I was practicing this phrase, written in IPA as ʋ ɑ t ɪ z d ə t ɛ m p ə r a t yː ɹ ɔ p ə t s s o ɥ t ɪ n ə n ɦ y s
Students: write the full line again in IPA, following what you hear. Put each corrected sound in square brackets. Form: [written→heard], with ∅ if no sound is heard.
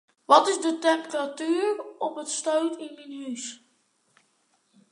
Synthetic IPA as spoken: ʋ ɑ t ɪ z d ə t ɛ m p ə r a t yː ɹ ɔ p ə t s [s→t] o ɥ t ɪ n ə n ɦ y s